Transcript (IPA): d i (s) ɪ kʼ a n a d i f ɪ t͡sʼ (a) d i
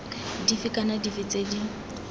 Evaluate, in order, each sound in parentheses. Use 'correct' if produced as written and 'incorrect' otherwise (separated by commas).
incorrect, incorrect